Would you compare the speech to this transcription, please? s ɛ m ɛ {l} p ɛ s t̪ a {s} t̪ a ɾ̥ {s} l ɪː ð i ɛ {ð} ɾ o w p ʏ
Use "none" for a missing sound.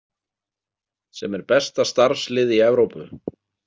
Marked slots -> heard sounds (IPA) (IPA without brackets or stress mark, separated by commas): ɾ, s, s, v